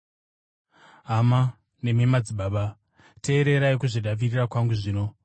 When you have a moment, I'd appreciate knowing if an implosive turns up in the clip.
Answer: yes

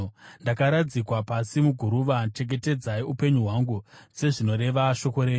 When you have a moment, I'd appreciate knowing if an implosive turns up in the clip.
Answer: no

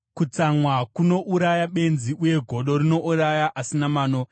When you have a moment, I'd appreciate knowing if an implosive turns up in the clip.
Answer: yes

